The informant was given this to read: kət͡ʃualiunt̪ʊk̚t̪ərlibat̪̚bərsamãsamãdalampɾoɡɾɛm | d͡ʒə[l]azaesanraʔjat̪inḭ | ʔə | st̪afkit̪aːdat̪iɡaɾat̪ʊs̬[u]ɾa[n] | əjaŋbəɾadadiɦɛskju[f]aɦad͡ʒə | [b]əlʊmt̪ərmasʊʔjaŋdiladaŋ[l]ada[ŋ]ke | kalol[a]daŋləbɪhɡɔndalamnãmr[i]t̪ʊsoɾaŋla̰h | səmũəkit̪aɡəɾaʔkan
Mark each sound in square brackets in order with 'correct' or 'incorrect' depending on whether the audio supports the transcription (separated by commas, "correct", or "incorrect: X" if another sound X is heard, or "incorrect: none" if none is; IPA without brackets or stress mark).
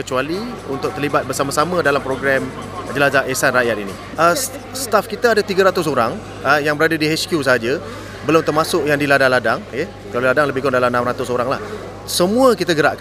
correct, incorrect: o, incorrect: ŋ, incorrect: s, correct, correct, correct, correct, incorrect: a